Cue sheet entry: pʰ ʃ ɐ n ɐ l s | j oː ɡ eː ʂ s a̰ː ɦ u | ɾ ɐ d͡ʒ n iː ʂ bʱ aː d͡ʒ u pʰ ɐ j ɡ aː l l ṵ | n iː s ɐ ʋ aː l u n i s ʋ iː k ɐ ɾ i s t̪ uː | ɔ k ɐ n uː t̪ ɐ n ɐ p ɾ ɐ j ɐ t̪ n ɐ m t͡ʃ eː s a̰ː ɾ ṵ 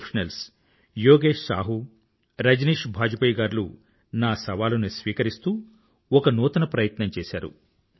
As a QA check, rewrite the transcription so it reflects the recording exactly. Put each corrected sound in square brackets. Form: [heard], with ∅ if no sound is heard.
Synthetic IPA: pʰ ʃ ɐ n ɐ l s | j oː ɡ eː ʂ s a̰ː ɦ u | ɾ ɐ d͡ʒ n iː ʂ bʱ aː d͡ʒ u [p] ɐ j ɡ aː [ɾ] l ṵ | n [aː] s ɐ ʋ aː l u n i s ʋ iː k ɐ ɾ i s t̪ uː | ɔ k ɐ n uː t̪ ɐ n ɐ p ɾ ɐ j ɐ t̪ n ɐ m t͡ʃ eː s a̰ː ɾ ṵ